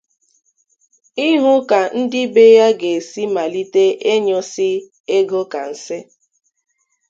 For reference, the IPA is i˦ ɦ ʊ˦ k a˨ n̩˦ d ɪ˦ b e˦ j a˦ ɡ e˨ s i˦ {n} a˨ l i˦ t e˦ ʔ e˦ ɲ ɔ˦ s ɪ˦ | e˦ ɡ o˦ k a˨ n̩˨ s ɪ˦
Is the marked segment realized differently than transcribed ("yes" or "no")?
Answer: yes